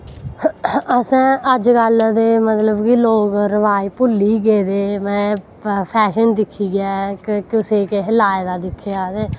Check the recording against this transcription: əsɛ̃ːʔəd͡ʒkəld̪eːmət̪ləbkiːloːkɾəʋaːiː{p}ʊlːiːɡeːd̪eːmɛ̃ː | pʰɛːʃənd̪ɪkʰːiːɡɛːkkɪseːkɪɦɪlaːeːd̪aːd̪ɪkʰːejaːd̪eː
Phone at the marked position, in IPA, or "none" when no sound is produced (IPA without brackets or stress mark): p